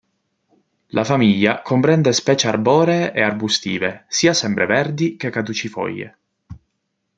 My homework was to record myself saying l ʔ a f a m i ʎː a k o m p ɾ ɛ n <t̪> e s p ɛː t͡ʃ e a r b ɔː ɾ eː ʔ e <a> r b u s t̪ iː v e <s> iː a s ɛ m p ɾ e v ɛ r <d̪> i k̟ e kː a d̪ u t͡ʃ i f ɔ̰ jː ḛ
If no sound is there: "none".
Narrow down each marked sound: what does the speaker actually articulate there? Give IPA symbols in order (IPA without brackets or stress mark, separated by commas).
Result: d̪, a, s, d̪